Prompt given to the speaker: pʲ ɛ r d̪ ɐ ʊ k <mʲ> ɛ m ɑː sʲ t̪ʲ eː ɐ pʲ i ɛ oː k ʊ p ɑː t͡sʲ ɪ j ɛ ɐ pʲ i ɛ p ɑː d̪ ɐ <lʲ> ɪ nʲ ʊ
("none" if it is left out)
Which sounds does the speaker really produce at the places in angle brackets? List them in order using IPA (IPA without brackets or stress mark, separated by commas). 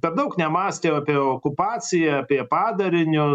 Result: nʲ, ɾʲ